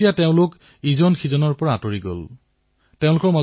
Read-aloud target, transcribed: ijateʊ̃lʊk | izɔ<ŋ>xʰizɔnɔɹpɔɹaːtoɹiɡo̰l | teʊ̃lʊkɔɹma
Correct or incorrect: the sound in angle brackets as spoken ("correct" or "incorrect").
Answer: incorrect